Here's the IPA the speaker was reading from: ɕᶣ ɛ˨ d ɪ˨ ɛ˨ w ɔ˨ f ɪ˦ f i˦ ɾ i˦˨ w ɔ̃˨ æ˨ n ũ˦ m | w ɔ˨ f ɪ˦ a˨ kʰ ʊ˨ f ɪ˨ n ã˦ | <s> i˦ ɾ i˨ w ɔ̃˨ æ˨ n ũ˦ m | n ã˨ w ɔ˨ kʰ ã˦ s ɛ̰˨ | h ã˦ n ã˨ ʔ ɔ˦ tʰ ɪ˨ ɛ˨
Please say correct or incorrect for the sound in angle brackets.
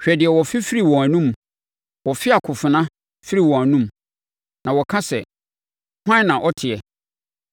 incorrect